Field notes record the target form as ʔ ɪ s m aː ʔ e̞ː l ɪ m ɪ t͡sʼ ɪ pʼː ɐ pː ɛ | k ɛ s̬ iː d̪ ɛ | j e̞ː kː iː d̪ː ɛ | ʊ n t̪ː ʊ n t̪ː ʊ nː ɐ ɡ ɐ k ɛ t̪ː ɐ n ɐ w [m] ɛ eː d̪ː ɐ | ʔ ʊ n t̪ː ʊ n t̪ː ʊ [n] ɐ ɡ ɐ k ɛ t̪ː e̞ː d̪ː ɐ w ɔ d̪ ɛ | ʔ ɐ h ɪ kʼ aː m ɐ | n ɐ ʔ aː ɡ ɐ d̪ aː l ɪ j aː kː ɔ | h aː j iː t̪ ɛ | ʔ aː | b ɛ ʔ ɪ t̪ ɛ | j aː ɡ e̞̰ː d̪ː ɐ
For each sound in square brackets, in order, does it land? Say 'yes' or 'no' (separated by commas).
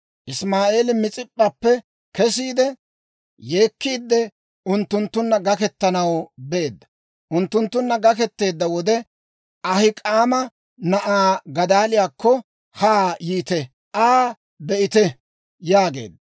no, no